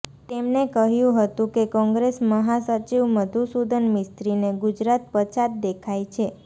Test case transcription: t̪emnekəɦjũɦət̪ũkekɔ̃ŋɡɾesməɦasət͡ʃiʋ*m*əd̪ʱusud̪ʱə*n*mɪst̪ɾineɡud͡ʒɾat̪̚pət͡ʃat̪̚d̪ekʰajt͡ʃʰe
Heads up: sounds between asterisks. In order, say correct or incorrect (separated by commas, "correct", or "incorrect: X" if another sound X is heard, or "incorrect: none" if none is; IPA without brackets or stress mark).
correct, correct